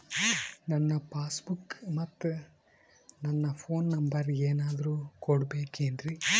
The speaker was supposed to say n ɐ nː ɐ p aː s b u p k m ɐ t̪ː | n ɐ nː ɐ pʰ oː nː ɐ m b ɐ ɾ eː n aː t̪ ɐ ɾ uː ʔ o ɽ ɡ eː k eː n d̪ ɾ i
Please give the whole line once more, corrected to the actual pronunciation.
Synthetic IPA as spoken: n ɐ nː ɐ p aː s b u k m ɐ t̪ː | n ɐ nː ɐ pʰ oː nː ɐ m b ɐ ɾ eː n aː d̪ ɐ ɾ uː k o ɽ b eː k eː n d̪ ɾ i